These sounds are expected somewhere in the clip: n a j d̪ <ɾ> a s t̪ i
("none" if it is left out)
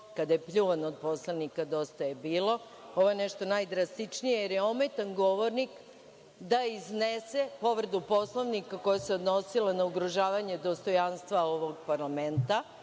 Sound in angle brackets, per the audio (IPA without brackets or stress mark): ɾ